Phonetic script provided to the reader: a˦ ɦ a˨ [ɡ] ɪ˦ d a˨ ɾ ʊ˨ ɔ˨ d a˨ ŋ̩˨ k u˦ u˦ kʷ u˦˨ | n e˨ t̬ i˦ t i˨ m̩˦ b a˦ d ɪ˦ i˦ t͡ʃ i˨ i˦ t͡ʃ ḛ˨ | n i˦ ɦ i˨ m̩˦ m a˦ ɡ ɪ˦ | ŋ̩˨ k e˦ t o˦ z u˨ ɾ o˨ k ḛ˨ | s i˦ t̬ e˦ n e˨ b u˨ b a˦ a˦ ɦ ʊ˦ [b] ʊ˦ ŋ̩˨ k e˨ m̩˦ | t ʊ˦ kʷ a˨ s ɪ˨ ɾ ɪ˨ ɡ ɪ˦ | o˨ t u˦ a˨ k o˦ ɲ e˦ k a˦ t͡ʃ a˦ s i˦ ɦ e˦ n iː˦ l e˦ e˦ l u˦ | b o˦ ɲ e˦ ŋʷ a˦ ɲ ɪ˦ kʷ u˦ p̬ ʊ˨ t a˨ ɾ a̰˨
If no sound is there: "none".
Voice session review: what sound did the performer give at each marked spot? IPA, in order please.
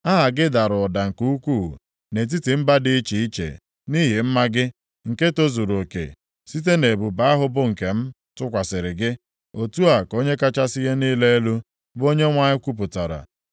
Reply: ɡ, b

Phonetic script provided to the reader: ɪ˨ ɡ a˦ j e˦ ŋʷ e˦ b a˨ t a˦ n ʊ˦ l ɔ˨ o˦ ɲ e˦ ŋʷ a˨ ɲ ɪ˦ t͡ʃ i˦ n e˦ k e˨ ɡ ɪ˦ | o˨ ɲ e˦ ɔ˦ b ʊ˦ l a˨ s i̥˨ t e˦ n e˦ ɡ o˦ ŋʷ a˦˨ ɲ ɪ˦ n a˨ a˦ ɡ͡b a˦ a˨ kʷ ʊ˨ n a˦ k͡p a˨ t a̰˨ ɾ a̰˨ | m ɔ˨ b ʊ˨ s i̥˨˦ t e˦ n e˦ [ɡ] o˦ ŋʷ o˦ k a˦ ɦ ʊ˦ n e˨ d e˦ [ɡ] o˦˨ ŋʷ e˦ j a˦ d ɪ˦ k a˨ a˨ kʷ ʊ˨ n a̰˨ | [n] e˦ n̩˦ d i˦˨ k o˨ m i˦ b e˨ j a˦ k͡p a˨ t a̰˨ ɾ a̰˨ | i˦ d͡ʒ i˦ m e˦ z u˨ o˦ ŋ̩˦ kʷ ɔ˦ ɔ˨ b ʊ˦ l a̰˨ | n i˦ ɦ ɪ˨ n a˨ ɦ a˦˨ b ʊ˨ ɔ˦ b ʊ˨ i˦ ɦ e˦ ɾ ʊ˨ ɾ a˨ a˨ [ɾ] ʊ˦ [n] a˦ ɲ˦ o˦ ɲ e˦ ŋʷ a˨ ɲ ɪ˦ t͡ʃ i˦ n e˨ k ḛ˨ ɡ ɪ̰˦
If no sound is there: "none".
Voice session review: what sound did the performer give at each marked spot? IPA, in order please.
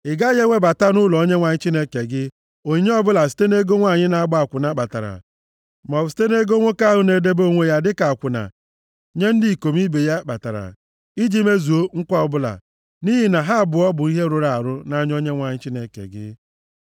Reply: ɡ, b, ɲ, ɾ, n

